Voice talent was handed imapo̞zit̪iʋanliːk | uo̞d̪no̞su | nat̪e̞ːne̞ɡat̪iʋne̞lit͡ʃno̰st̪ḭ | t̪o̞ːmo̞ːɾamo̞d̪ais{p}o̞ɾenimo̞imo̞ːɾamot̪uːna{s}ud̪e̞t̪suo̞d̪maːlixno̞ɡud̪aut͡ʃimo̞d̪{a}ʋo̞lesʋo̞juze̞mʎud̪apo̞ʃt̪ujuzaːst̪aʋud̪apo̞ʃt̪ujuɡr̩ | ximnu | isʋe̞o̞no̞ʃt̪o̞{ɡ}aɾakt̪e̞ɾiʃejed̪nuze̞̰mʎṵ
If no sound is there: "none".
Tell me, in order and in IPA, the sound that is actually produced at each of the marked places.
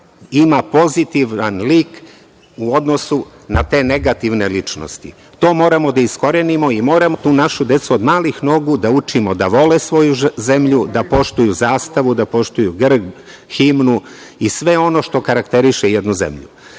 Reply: k, ʃ, a, k

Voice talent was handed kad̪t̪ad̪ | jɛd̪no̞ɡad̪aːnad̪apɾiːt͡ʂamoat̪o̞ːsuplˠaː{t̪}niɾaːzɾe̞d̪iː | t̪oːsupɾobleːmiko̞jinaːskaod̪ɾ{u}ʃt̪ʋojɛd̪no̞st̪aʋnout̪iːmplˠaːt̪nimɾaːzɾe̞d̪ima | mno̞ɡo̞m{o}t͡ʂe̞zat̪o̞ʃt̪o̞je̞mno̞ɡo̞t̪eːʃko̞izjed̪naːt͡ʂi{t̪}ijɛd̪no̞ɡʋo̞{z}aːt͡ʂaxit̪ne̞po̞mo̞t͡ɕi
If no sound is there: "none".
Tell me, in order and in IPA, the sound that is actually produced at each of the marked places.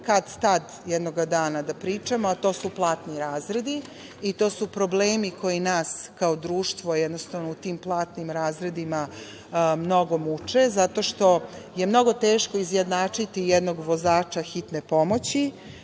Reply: t̪, uː, u, t̪, z

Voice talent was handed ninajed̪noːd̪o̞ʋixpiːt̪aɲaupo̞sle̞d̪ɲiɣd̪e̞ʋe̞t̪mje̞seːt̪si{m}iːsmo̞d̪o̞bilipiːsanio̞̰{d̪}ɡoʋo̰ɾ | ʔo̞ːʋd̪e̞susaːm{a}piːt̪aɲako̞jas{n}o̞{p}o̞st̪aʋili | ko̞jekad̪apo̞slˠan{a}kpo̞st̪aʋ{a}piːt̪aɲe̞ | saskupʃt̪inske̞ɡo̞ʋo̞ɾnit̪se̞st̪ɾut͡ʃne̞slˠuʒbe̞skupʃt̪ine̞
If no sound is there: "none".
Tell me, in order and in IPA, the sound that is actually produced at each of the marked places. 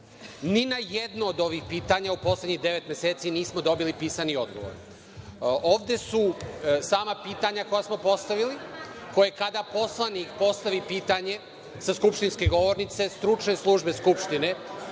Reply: n, d̪, a, m, p, i, i

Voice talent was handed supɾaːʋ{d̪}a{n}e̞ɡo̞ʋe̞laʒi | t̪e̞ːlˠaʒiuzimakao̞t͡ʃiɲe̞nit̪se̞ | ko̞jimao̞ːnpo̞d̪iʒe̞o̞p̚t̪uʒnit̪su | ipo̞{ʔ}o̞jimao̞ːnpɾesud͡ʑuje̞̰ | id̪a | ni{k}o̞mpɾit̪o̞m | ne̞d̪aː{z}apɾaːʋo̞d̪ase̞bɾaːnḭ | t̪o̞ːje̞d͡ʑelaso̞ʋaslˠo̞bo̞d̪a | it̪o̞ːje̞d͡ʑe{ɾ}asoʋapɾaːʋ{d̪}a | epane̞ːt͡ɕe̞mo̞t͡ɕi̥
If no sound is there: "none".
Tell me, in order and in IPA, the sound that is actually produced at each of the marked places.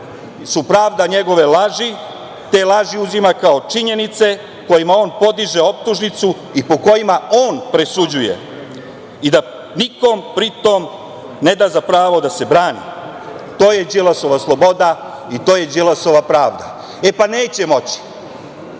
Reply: d̪, ɲ, k, k, z, l, d̪

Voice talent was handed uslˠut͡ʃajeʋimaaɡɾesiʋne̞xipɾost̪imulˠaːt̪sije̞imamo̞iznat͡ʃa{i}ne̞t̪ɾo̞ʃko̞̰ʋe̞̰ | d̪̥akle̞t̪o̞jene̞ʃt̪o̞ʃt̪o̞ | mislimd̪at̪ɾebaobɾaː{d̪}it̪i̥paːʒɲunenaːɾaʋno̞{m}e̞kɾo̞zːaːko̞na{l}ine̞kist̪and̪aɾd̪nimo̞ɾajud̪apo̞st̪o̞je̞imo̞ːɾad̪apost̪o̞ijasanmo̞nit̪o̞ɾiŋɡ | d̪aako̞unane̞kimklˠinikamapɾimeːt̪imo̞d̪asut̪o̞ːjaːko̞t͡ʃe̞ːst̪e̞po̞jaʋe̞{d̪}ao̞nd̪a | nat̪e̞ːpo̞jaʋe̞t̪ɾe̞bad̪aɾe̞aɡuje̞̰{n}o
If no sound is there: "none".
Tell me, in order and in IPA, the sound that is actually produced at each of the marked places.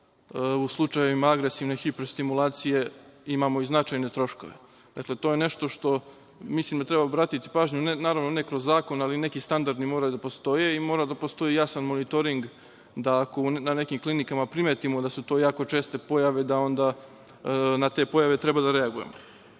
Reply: j, t̪, n, l, d̪, m

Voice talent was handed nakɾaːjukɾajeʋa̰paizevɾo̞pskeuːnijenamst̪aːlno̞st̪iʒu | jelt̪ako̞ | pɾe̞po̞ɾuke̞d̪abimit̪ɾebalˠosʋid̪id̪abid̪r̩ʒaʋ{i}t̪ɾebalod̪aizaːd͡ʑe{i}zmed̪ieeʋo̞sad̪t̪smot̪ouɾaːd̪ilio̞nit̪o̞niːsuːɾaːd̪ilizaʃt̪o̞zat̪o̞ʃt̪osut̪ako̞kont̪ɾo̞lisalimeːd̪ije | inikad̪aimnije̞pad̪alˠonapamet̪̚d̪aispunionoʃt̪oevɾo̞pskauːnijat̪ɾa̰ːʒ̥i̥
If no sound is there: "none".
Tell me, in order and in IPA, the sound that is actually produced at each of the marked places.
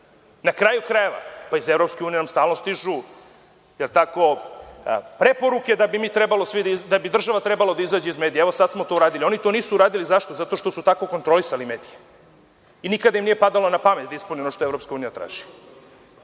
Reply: a, i

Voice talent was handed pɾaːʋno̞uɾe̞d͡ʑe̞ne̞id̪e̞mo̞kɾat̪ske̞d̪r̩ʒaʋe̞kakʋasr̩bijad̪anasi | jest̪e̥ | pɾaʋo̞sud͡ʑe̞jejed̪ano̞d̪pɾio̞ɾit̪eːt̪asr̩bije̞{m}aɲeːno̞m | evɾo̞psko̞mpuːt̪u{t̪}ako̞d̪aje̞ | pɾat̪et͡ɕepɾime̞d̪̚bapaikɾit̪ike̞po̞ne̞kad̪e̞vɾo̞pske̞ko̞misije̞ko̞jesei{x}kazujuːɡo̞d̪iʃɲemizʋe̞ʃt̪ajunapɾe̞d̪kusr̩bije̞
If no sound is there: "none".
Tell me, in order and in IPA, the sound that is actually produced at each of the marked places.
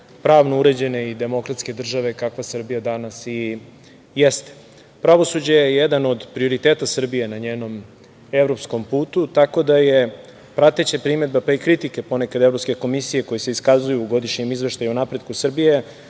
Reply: n, t̪, s

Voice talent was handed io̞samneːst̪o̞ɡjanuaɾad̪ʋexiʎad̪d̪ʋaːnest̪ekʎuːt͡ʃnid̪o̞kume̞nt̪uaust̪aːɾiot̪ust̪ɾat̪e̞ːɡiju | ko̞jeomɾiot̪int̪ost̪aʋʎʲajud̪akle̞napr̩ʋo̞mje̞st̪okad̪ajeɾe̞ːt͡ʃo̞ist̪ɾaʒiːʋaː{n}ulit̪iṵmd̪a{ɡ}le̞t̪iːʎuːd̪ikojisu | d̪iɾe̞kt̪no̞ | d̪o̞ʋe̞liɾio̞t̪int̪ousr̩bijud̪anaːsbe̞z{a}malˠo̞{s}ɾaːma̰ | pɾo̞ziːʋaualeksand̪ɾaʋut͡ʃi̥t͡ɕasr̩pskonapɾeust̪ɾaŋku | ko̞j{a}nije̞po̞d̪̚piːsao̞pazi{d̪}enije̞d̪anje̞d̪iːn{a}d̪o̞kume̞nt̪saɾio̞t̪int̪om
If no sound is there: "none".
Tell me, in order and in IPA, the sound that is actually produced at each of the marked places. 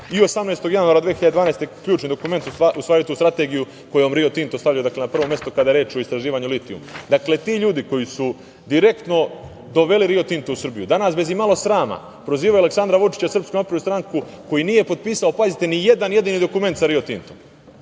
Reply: ɲ, k, i, s, i, t̪, i

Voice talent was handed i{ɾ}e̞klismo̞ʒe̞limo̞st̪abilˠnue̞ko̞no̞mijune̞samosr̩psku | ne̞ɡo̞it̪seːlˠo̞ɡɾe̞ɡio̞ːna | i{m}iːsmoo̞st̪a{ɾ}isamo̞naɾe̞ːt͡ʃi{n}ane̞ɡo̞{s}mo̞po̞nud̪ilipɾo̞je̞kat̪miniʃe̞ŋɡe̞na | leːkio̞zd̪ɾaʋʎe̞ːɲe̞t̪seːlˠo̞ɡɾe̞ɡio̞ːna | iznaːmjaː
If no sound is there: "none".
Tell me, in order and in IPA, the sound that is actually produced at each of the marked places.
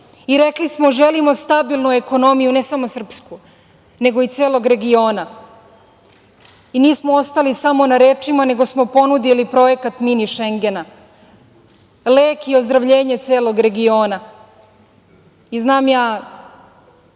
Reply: ɾ, n, l, m, s

